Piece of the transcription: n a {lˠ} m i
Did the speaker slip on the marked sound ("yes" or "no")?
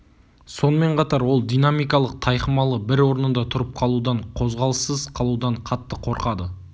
yes